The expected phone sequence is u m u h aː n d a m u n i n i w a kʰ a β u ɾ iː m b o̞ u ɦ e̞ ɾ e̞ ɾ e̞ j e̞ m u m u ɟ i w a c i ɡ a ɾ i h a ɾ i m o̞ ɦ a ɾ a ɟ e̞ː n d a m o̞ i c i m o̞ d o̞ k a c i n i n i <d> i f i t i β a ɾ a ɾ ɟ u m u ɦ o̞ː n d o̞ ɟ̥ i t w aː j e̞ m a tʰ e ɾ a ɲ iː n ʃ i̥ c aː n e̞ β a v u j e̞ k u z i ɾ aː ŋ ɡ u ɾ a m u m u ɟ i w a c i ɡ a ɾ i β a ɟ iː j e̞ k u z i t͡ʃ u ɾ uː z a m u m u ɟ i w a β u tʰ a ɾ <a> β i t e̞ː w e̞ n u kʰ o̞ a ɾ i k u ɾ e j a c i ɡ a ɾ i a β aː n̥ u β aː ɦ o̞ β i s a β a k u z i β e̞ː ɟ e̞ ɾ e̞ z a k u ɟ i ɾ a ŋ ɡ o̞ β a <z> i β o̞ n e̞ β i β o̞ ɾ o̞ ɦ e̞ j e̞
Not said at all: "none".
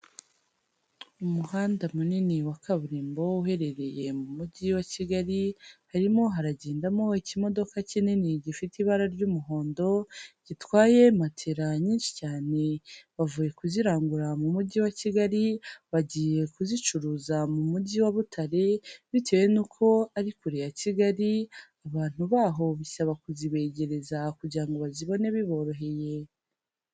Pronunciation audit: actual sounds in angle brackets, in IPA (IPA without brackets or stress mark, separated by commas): ɟ, e, z